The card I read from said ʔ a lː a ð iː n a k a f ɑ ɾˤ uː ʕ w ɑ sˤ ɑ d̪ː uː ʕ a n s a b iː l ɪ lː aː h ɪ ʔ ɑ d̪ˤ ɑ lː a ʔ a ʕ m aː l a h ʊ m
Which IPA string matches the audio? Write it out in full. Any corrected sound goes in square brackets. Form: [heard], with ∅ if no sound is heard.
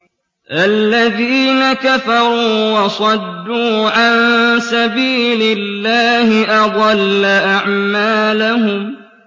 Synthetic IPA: ʔ a lː a ð iː n a k a f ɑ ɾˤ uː [∅] w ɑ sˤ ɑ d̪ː uː ʕ a n s a b iː l ɪ lː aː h ɪ ʔ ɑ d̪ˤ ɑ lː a ʔ a ʕ m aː l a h ʊ m

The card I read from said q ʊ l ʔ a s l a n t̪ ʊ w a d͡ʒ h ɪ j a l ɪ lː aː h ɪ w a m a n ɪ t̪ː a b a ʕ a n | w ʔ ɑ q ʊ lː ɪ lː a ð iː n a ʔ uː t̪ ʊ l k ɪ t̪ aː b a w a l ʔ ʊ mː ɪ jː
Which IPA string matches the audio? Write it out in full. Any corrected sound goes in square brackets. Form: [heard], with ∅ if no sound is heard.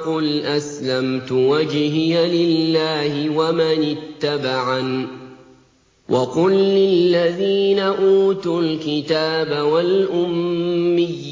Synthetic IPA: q ʊ l ʔ a s l a [m] t̪ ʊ w a d͡ʒ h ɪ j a l ɪ lː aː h ɪ w a m a n ɪ t̪ː a b a ʕ a n | w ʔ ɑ q ʊ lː ɪ lː a ð iː n a ʔ uː t̪ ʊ l k ɪ t̪ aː b a w a l ʔ ʊ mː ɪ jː

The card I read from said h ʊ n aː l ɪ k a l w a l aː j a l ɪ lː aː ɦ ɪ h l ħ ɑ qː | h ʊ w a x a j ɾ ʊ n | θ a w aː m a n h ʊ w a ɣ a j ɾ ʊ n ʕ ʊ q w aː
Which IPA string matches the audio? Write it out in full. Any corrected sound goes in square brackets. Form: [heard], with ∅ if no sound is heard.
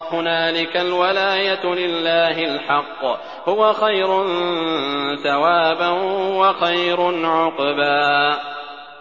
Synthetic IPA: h ʊ n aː l ɪ k a l w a l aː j a l ɪ lː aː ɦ ɪ [∅] l ħ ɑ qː | h ʊ w a x a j ɾ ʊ n | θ a w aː [b] a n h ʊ w a [x] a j ɾ ʊ n ʕ ʊ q [b] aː

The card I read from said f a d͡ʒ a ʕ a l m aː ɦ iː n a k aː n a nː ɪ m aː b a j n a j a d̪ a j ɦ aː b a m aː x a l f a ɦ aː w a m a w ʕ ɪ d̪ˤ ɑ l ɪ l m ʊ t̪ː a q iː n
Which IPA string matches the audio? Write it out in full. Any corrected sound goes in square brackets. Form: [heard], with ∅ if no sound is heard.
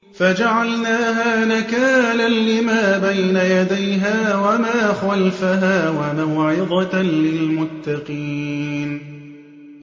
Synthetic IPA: f a d͡ʒ a ʕ a l [n] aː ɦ [aː] n a k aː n a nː ɪ m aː b a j n a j a d̪ a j ɦ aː [w] a m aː x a l f a ɦ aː w a m a w ʕ ɪ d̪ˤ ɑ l ɪ l m ʊ t̪ː [ɑ] q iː n

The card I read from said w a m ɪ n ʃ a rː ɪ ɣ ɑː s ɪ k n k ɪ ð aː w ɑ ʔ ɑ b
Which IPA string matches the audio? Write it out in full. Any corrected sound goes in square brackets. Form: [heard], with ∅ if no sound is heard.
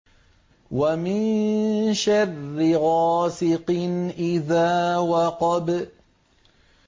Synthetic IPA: w a m ɪ n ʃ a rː ɪ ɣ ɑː s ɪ [q] n [ʔ] ɪ ð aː w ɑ [q] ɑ b

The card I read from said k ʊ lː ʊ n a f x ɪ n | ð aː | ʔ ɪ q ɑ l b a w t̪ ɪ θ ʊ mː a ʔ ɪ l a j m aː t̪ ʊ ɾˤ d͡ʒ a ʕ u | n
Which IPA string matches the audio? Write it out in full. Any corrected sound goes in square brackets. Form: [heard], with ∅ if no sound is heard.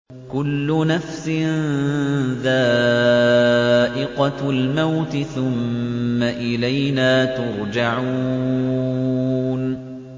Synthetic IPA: k ʊ lː ʊ n a f [s] ɪ n | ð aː | ʔ ɪ q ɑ l [m] a w t̪ ɪ θ ʊ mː a ʔ ɪ l a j [n] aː t̪ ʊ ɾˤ d͡ʒ a ʕ u | n

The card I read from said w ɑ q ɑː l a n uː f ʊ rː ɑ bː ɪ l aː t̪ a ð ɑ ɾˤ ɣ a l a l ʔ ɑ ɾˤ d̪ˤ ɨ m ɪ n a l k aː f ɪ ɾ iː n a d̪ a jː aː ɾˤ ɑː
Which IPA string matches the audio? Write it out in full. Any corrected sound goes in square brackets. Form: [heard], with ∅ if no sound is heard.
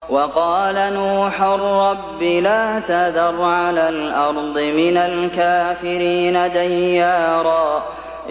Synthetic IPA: w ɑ q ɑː l a n uː [ħ] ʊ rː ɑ bː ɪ l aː t̪ a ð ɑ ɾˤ [ʕ] a l a l ʔ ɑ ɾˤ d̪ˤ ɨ m ɪ n a l k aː f ɪ ɾ iː n a d̪ a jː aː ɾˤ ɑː

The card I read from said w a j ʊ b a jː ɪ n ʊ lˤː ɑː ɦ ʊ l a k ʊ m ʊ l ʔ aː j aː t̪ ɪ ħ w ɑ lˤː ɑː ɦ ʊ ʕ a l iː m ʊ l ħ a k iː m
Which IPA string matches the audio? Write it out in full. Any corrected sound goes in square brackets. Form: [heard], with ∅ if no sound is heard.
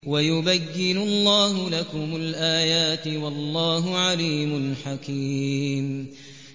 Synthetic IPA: w a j ʊ b a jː ɪ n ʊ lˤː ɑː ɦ ʊ l a k ʊ m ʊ l ʔ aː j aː t̪ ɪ [∅] w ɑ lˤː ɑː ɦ ʊ ʕ a l iː m ʊ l ħ a k iː m

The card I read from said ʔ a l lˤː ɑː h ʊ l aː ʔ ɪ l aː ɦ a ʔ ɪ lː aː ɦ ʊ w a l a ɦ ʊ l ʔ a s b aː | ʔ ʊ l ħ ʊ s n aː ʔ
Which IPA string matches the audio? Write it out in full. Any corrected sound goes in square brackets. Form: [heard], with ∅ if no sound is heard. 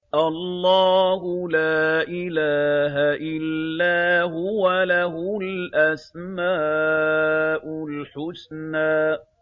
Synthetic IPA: ʔ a l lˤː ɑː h ʊ l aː ʔ ɪ l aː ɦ a ʔ ɪ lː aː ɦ ʊ w a l a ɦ ʊ l ʔ a s [m] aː | ʔ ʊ l ħ ʊ s n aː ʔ

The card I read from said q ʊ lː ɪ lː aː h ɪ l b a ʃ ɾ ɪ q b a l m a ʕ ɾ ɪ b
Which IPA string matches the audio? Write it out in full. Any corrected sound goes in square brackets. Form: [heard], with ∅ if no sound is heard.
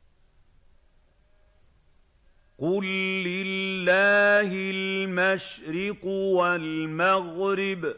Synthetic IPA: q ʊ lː ɪ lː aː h ɪ l [m] a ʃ ɾ ɪ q [w] a l m a [ɣ] ɾ ɪ b

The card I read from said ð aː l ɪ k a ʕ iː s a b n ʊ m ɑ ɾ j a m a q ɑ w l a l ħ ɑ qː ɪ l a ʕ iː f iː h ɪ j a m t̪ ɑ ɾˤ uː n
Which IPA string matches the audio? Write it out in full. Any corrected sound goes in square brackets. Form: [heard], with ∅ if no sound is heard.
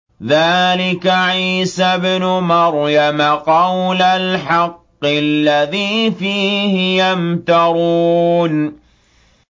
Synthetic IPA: ð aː l ɪ k a ʕ iː s a b n ʊ m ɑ ɾ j a m a q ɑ w l a l ħ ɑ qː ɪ [lː] a [ð] iː f iː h ɪ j a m t̪ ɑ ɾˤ uː n

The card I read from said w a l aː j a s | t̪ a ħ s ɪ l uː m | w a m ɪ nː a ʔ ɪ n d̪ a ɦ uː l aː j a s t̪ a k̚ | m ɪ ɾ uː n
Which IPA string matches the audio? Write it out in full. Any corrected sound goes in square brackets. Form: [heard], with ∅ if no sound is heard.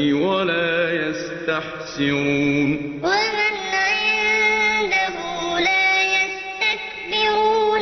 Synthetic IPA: w a l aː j a s | t̪ a ħ s ɪ [ɾ] uː [n] | w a m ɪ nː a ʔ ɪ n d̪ a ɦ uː l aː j a s t̪ a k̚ | [b] ɪ ɾ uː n

